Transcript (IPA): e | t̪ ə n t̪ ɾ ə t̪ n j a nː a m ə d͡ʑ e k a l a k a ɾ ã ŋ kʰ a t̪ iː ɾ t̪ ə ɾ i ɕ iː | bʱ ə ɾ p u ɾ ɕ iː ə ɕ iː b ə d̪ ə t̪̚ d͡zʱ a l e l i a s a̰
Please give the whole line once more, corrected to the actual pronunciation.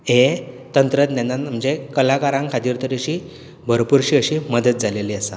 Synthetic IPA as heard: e | t̪ ə n t̪ ɾ ə t̪ n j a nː a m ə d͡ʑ e k ə l a k a ɾ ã ŋ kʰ a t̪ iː ɾ t̪ ə ɾ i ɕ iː | bʱ ə ɾ p u ɾ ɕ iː ə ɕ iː m ə d̪ ə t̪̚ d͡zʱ a l e l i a s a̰